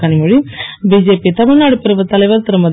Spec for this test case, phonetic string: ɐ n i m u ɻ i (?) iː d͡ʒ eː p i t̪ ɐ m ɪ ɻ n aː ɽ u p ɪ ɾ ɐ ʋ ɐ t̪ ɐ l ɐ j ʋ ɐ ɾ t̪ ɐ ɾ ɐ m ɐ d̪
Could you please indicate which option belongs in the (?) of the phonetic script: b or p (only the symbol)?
b